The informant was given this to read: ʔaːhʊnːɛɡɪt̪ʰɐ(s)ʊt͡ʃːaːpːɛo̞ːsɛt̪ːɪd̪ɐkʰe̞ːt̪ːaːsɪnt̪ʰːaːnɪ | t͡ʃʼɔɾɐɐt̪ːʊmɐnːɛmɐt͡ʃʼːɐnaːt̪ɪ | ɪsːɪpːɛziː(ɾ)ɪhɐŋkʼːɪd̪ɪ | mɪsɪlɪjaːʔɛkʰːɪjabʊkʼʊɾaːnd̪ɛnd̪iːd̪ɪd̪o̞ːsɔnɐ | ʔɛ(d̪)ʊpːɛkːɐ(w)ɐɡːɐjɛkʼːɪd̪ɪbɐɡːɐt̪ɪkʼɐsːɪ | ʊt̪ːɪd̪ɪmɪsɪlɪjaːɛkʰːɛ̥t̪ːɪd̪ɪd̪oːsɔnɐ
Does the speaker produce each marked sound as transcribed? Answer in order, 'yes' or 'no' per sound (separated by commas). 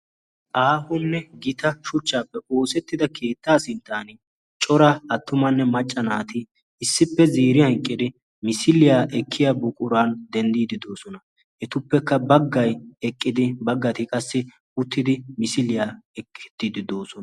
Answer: no, yes, no, no